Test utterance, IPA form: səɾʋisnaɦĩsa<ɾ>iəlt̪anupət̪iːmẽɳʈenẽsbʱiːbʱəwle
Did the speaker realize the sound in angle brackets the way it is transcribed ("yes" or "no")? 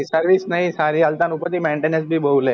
yes